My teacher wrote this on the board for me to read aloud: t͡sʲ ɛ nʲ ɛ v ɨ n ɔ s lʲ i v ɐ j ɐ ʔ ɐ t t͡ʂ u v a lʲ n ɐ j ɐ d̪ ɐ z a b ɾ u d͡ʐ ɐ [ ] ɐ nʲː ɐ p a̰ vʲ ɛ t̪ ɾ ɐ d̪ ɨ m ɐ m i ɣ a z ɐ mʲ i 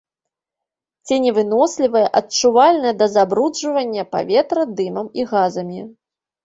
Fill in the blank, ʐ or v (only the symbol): v